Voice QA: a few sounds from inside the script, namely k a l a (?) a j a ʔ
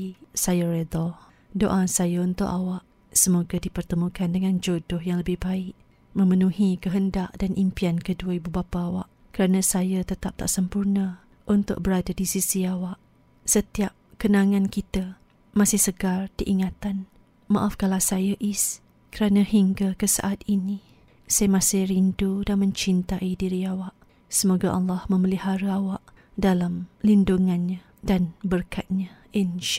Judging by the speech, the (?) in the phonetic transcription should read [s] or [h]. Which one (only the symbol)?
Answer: s